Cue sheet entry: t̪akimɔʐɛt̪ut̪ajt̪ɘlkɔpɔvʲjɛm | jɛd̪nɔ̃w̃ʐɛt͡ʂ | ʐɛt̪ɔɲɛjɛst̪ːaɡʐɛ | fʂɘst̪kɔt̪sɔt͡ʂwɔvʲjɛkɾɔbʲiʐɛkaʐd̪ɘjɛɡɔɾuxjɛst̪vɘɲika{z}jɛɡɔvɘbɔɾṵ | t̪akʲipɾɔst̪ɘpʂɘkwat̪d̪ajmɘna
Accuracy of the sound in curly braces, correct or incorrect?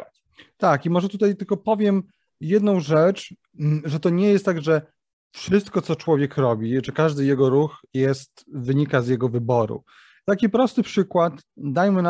correct